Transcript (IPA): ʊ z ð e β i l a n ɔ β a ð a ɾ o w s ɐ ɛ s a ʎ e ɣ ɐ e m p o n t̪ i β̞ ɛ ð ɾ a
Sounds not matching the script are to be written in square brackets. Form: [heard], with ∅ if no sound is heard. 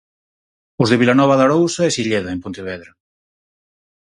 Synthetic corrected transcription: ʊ z ð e β i l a n ɔ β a ð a ɾ o w s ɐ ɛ s [i] ʎ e [ð] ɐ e m p o n t̪ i β̞ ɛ ð ɾ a